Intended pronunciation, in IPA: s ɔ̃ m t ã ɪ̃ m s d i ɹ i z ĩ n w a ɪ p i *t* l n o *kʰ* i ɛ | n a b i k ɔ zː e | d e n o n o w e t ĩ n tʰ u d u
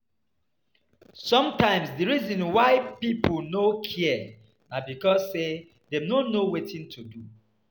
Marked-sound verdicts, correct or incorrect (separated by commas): incorrect, correct